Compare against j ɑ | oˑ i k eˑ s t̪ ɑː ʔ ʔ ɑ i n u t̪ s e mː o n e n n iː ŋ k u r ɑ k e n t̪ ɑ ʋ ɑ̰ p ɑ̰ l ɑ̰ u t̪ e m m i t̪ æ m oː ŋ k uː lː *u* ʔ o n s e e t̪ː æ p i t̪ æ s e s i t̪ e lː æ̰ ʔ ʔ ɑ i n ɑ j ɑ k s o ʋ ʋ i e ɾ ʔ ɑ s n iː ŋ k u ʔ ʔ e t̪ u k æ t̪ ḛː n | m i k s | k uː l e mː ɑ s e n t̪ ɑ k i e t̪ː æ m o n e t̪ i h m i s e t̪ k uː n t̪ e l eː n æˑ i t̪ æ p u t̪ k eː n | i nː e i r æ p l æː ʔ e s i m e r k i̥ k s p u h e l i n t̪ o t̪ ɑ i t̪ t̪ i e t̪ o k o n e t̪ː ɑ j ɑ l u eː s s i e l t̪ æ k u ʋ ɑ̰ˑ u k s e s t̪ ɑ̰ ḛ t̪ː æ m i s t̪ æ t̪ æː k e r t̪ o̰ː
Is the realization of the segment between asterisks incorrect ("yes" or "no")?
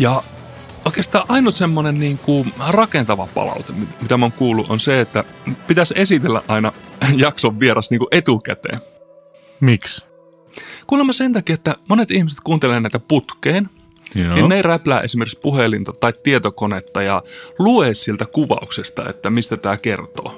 no